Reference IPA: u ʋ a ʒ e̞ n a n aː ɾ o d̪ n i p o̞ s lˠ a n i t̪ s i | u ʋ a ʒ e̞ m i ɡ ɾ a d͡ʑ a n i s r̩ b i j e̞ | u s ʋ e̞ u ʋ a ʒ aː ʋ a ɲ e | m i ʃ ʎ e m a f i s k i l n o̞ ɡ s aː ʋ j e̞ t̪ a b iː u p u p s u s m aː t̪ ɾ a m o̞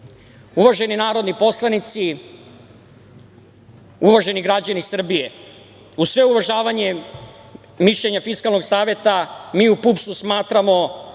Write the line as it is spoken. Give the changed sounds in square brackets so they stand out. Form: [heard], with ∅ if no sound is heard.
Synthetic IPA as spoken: u ʋ a ʒ e̞ n [i] n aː ɾ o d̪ n i p o̞ s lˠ a n i t̪ s i | u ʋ a ʒ e̞ [n] i ɡ ɾ a d͡ʑ a n i s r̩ b i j e̞ | u s ʋ e̞ u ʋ a ʒ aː ʋ a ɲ e | m i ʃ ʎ e [ɲ] a f i s k [a] l n o̞ ɡ s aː ʋ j e̞ t̪ a [m] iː u p u p s u s m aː t̪ ɾ a m o̞